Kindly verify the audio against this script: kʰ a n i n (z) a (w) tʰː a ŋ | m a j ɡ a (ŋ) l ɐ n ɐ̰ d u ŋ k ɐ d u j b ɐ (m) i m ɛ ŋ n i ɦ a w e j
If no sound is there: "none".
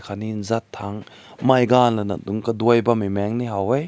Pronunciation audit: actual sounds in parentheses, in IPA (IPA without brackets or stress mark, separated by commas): z, none, n, m